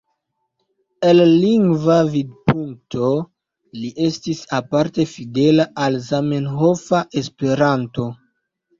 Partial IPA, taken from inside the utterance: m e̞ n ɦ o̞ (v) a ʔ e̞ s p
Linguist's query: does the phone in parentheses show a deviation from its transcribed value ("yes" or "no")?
yes